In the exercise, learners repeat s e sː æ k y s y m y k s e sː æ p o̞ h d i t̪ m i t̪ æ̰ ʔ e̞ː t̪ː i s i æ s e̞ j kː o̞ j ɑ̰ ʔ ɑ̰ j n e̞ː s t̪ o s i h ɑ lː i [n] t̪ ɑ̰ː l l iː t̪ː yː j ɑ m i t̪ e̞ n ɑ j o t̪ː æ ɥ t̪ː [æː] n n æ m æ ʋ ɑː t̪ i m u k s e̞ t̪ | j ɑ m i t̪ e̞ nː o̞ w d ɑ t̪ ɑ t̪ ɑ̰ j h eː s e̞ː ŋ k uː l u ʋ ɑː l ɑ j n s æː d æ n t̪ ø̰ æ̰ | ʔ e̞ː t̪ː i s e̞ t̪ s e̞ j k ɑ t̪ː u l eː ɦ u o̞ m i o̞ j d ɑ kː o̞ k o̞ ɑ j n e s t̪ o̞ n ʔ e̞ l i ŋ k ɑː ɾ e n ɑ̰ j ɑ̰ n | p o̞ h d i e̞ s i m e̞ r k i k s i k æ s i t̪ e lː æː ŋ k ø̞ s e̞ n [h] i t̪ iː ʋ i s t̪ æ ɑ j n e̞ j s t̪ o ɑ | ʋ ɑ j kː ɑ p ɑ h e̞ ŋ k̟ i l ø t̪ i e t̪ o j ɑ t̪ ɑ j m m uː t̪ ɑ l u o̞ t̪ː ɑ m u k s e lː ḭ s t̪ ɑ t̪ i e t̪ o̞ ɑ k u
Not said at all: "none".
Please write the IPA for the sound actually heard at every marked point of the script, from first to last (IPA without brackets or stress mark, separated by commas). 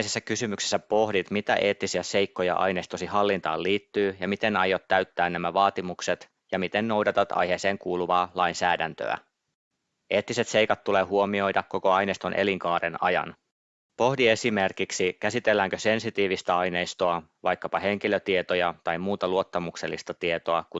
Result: n, æː, s